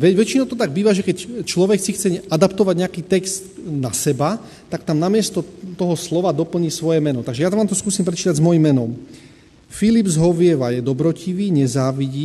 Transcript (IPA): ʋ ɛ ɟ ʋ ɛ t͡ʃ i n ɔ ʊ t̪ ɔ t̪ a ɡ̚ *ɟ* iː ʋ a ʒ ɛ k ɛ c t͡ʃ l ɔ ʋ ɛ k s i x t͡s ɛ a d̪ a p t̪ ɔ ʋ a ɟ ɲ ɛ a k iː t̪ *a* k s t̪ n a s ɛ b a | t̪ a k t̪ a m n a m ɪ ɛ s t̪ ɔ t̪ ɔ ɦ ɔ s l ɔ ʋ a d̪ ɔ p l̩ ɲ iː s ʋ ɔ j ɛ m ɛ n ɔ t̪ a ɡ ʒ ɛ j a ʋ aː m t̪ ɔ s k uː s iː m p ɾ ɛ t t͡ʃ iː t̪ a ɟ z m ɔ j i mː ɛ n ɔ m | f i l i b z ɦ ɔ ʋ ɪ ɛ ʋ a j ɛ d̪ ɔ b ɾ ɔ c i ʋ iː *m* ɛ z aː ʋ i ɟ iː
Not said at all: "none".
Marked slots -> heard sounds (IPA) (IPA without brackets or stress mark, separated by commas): b, ɛ, ɲ